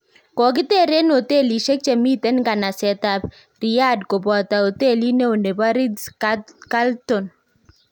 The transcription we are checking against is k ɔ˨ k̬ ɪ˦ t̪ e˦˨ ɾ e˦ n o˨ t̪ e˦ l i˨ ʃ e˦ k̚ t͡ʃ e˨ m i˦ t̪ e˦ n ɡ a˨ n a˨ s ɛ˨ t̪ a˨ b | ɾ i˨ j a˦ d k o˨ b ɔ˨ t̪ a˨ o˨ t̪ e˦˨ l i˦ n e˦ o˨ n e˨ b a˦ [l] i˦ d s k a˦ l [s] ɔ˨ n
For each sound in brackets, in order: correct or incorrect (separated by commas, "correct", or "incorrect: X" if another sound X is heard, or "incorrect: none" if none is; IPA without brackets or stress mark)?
incorrect: ɾ, incorrect: t